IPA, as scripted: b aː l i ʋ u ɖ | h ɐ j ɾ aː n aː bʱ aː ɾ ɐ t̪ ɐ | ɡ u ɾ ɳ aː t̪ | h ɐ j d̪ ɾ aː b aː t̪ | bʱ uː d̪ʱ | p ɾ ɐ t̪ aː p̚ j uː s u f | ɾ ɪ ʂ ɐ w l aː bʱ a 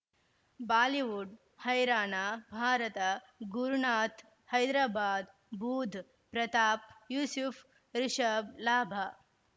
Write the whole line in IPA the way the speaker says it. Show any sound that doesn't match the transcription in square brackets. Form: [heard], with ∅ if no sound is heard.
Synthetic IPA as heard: b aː l i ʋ u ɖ | h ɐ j ɾ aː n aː bʱ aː ɾ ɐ t̪ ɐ | ɡ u ɾ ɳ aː t̪ | h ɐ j d̪ ɾ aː b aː [d̪] | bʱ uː d̪ʱ | p ɾ ɐ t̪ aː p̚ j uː s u f | ɾ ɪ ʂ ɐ [b] l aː bʱ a